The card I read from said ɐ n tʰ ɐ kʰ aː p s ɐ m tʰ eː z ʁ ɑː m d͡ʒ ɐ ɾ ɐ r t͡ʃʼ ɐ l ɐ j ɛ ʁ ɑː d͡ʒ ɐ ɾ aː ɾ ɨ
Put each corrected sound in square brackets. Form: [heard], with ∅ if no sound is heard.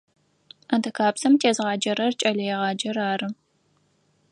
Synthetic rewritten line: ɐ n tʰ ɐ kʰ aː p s ɐ m tʰ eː z ʁ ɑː [∅] d͡ʒ ɐ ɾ ɐ r t͡ʃʼ ɐ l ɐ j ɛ ʁ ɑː d͡ʒ ɐ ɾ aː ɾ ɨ